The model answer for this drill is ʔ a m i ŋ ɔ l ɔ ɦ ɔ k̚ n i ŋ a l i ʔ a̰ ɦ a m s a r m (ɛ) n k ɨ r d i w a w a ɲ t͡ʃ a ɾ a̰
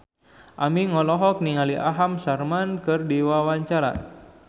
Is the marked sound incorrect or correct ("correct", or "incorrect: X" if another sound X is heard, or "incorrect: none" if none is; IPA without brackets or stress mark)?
incorrect: a